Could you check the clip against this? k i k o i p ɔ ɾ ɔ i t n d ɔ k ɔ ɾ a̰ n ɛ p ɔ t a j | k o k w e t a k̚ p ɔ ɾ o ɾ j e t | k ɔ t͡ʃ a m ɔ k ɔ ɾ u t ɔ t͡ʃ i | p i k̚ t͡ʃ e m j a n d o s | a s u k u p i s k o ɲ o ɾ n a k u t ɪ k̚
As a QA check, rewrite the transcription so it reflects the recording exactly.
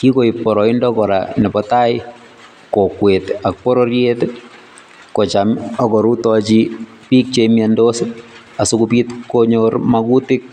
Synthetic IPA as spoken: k i k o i p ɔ ɾ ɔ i n d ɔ k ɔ ɾ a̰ n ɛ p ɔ t a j | k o k w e t a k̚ p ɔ ɾ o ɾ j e t | k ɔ t͡ʃ a m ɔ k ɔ ɾ u t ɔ t͡ʃ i | p i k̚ t͡ʃ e m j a n d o s | a s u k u p i t k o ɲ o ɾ m a k u t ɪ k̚

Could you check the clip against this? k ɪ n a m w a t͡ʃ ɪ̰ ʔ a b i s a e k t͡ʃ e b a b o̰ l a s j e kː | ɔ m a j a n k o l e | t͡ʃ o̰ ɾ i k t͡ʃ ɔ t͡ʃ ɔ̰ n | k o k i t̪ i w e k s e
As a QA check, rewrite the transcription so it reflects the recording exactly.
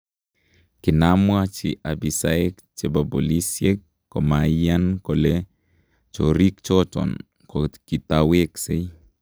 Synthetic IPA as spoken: k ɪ n a m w a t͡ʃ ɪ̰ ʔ a b i s a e k t͡ʃ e b a b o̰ l i s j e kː | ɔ m a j a n k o l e | t͡ʃ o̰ ɾ i k t͡ʃ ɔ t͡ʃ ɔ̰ n | k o k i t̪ a w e k s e

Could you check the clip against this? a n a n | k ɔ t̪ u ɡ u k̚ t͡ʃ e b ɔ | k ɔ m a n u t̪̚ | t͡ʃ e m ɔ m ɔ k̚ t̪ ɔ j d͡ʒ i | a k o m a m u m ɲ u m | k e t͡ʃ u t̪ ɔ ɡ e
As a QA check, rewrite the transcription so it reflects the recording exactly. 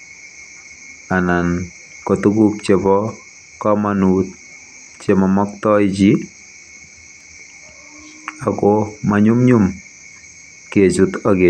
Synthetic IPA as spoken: a n a n | k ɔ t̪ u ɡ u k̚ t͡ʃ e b ɔ | k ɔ m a n u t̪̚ | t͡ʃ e m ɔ m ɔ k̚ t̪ ɔ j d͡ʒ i | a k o m a ɲ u m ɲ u m | k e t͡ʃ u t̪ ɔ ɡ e

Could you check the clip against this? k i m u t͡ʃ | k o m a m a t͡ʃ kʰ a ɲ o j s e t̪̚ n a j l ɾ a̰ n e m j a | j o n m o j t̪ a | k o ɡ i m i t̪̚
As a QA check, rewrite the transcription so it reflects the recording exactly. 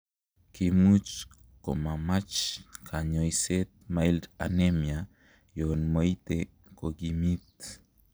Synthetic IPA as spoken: k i m u t͡ʃ | k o m a m a t͡ʃ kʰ a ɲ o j s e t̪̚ m a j l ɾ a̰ n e m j a | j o n m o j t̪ e | k o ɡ i m i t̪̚

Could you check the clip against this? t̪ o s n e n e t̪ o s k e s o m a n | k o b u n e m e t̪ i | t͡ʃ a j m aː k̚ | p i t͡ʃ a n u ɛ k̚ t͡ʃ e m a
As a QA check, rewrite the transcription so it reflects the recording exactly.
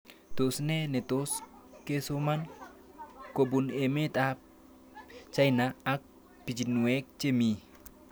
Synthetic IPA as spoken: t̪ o s n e n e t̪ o s k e s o m a n | k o b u n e m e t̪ a | t͡ʃ a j n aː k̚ | p i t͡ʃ i n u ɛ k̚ t͡ʃ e m i

